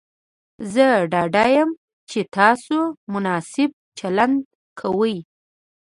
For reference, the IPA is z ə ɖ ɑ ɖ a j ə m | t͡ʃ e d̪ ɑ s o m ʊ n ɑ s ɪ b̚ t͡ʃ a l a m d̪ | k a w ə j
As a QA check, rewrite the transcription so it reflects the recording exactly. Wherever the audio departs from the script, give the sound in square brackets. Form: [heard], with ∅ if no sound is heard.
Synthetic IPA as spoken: z ə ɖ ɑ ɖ a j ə m | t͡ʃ e [t̪] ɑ s o m ʊ n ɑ s ɪ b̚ t͡ʃ a l a [n] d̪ | [kʰ] a w ə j